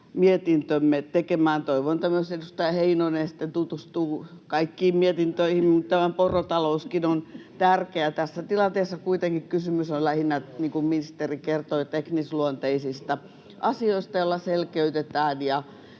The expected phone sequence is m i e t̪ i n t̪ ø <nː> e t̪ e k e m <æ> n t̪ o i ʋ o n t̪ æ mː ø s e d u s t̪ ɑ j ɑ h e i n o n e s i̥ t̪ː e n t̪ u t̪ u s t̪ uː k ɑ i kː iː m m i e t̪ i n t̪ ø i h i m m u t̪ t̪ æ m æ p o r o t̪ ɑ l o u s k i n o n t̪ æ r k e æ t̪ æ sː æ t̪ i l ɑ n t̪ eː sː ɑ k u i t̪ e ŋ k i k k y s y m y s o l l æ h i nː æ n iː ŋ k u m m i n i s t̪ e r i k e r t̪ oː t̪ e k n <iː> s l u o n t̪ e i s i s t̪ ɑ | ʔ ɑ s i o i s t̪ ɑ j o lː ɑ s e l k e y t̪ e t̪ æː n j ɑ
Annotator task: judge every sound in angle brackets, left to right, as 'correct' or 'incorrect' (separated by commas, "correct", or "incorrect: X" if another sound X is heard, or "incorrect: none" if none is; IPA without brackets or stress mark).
incorrect: mː, incorrect: æː, incorrect: i